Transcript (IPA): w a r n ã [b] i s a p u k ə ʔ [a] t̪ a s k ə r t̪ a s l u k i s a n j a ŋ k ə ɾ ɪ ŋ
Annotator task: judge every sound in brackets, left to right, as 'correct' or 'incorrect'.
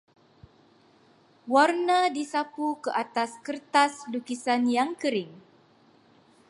incorrect: d, correct

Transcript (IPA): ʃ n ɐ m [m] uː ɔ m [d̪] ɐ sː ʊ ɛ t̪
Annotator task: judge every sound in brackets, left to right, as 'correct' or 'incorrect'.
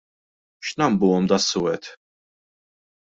incorrect: b, correct

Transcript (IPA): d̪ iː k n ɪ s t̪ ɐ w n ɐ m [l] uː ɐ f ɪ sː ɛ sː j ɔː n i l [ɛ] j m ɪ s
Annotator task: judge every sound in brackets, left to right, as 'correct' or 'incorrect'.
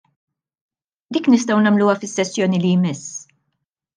correct, incorrect: i

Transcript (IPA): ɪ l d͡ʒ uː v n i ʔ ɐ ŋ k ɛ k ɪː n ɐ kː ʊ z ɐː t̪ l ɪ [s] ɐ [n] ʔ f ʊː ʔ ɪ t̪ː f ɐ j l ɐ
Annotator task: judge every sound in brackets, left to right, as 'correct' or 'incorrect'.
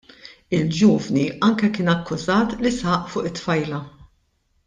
correct, incorrect: none

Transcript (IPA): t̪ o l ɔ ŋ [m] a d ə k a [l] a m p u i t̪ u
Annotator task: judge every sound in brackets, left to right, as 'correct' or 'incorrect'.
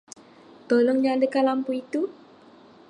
incorrect: ɲ, correct

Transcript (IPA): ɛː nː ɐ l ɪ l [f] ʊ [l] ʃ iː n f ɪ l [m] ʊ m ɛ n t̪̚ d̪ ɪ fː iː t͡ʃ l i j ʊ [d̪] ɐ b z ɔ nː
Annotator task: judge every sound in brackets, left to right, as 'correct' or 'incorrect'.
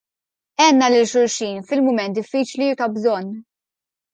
incorrect: ʃ, incorrect: ɾ, correct, incorrect: t̪

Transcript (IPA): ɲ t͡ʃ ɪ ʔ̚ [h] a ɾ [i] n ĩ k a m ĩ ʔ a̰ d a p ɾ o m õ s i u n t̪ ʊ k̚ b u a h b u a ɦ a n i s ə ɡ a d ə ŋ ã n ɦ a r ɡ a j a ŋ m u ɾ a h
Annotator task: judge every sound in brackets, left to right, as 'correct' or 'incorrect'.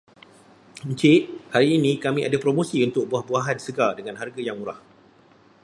correct, incorrect: iː

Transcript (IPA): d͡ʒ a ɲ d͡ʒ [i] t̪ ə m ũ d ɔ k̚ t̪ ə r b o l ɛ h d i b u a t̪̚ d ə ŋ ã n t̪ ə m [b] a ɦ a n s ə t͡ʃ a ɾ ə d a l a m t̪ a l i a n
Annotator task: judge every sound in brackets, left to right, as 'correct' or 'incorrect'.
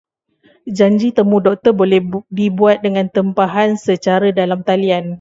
correct, incorrect: p

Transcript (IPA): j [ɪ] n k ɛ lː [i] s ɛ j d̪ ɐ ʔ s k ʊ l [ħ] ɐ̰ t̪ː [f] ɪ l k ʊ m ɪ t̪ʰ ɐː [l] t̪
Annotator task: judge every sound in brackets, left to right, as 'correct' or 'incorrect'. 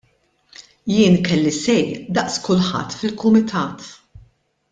incorrect: ɪː, correct, correct, correct, incorrect: none

